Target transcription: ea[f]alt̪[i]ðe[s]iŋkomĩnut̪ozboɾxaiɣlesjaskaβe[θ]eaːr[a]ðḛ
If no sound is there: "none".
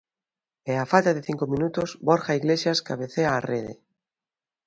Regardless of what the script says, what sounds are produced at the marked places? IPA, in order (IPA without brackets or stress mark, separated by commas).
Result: f, a, θ, θ, e